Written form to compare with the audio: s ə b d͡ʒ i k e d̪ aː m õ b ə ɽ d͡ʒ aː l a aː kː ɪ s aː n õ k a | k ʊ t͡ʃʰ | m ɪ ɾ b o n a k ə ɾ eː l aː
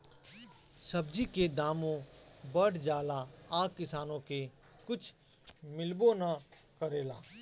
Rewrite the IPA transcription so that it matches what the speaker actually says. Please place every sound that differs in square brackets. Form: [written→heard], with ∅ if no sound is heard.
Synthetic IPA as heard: s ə b d͡ʒ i k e d̪ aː m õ b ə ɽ d͡ʒ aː l a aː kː ɪ s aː n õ k [a→e] | k ʊ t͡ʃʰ | m ɪ [ɾ→l] b o n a k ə ɾ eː l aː